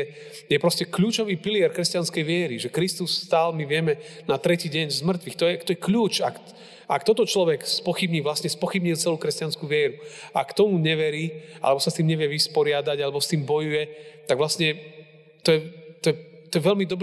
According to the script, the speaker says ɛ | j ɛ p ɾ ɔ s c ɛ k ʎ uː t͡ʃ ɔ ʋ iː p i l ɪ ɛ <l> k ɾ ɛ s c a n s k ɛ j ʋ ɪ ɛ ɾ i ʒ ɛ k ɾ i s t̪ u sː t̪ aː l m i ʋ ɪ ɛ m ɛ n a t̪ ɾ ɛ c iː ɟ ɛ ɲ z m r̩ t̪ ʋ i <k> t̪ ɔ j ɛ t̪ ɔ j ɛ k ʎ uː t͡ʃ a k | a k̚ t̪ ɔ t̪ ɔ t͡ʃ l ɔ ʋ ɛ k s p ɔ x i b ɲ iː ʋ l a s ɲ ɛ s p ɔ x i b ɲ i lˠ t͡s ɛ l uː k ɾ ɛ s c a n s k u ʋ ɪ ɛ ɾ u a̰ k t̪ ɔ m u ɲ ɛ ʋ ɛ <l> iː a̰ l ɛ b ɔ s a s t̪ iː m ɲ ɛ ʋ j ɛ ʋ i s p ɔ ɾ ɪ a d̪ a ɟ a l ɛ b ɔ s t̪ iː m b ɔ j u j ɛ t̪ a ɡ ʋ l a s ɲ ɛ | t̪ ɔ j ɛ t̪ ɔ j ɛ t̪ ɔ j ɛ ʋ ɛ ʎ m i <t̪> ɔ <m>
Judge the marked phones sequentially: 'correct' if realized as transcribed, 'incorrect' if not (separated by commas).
incorrect, incorrect, incorrect, incorrect, incorrect